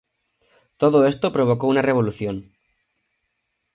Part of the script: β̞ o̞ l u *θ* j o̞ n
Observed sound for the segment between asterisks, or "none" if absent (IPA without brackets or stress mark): θ